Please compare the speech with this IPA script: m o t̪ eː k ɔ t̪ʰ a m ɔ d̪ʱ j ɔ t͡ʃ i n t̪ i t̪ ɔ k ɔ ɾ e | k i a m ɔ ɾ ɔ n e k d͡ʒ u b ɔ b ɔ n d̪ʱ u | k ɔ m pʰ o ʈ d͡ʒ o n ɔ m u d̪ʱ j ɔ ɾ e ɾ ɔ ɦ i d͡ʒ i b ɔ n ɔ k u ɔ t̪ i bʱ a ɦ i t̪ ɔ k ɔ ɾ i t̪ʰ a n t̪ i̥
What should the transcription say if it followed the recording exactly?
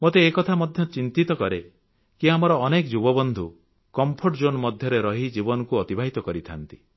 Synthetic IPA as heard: m o t̪ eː k ɔ t̪ʰ a m ɔ d̪ʱ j ɔ t͡ʃ i n t̪ i t̪ ɔ k ɔ ɾ e | k i a m ɔ ɾ ɔː n e k d͡ʒ u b ɔ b ɔ n d̪ʱ u | k ɔ m pʰ o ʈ d͡ʒ o n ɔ m ɔ d̪ʱ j ɔ ɾ e ɾ ɔ ɦ i d͡ʒ i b ɔ n ɔ k u ɔ t̪ i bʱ a ɦ i t̪ ɔ k ɔ ɾ i t̪ʰ a n t̪ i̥